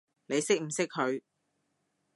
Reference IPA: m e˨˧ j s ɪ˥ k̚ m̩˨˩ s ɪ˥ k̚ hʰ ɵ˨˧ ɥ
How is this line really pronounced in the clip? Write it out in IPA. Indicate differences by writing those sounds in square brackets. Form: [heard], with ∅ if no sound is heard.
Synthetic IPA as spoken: [n] e˨˧ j s ɪ˥ k̚ m̩˨˩ s ɪ˥ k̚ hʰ ɵ˨˧ ɥ